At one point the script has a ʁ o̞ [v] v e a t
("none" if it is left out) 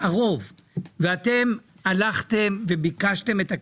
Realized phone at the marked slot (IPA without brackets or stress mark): v